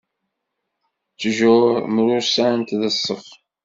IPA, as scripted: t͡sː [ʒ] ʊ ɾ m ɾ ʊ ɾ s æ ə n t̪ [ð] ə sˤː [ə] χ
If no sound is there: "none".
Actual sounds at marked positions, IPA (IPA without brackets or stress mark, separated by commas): ʒ, ð, ə